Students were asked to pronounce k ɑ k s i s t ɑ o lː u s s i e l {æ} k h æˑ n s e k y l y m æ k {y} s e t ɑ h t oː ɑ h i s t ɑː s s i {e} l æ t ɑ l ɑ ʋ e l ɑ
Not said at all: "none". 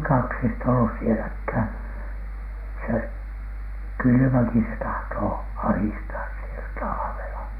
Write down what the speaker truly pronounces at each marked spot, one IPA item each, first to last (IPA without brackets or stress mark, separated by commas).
æ, i, e